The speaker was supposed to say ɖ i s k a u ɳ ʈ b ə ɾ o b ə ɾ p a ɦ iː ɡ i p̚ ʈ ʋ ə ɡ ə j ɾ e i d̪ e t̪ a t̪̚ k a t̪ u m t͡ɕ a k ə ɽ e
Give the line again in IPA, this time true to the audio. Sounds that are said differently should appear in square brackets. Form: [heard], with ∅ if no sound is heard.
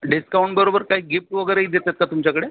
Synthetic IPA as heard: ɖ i s k a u ɳ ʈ b ə ɾ o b ə ɾ [k] a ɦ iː ɡ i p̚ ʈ ʋ ə ɡ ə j ɾ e i d̪ e t̪ a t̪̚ k a t̪ u m t͡ɕ a k ə ɽ e